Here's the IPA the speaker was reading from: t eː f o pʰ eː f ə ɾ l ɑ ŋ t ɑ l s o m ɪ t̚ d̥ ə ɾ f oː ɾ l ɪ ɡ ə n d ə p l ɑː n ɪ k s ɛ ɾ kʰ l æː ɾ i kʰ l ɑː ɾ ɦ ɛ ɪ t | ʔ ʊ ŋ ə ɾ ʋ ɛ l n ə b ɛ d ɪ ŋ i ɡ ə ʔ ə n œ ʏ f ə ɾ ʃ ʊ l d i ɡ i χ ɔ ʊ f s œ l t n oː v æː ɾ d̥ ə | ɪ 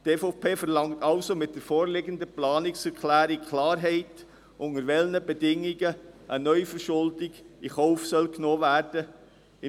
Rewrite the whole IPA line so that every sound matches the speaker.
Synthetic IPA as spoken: t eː f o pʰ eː f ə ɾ l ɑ ŋ t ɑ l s o m ɪ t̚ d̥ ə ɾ f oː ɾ l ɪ ɡ ə n d ə p l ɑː n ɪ k s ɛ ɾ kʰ l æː ɾ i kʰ l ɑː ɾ ɦ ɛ ɪ t | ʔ ʊ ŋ ə ɾ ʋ ɛ l n ə b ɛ d ɪ ŋ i ɡ ə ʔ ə n œ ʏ f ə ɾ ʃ ʊ l d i ɡ i χ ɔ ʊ f s œ l k n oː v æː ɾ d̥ ə | ɪ